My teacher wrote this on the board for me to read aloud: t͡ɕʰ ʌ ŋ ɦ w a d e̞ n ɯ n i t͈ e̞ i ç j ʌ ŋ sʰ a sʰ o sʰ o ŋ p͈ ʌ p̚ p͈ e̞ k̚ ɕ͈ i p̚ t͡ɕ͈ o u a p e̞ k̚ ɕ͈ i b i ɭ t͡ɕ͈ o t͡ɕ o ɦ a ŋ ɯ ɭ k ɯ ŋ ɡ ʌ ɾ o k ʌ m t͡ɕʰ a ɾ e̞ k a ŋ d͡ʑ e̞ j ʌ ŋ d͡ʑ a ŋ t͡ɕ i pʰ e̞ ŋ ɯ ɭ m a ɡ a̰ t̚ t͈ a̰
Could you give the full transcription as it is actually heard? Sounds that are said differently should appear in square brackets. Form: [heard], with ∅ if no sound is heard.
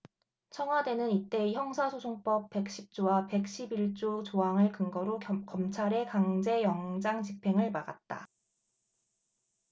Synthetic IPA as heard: t͡ɕʰ ʌ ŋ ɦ w a d e̞ n ɯ n i t͈ e̞ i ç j ʌ ŋ sʰ a sʰ o sʰ o ŋ p͈ ʌ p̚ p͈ e̞ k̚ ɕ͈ i p̚ t͡ɕ͈ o [w] a p e̞ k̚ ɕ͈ i b i ɭ t͡ɕ͈ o t͡ɕ o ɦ a ŋ ɯ ɭ k ɯ ŋ ɡ ʌ ɾ o k ʌ m t͡ɕʰ a ɾ e̞ k a ŋ d͡ʑ e̞ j ʌ ŋ d͡ʑ a ŋ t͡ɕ i pʰ e̞ ŋ ɯ ɭ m a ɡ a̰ t̚ t͈ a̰